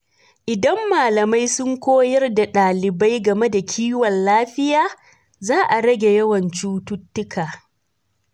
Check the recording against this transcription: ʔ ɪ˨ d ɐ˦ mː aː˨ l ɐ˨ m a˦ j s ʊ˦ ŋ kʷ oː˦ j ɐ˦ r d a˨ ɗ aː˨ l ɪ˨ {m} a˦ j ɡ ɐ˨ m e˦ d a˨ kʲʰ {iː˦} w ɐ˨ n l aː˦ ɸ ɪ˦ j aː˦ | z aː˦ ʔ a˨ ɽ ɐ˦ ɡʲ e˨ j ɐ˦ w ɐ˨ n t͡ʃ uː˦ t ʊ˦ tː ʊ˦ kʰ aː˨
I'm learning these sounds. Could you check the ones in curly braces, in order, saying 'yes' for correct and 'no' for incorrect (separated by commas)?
no, yes